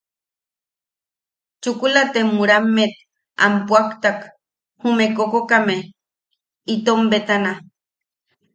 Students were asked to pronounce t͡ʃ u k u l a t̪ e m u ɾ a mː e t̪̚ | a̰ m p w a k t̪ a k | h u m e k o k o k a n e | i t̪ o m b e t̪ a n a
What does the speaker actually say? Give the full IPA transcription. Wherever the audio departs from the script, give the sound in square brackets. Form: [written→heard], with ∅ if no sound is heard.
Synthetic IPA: t͡ʃ u k u l a t̪ e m u ɾ a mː e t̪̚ | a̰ m p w a k t̪ a k | h u m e k o k o k a [n→m] e | i t̪ o m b e t̪ a n a